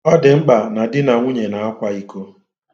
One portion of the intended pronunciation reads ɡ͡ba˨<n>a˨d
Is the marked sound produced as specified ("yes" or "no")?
yes